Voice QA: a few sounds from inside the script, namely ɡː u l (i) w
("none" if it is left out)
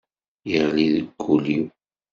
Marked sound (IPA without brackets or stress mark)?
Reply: i